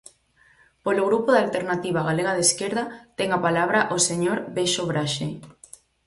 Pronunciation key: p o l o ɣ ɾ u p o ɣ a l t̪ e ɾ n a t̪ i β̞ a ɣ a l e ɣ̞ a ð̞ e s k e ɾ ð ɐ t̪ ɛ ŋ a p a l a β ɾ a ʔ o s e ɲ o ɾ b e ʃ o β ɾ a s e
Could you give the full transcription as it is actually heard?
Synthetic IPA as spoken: p o l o ɣ ɾ u p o ð a l t̪ e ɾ n a t̪ i β̞ a ɣ a l e ɣ̞ a ð̞ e s k e ɾ ð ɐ t̪ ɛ ŋ a p a l a β ɾ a ʔ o s e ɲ o ɾ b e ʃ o β ɾ a ʃ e